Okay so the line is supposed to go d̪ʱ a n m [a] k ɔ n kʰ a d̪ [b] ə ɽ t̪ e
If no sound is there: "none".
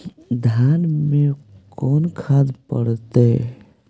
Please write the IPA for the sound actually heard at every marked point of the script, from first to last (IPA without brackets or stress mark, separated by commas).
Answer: e, p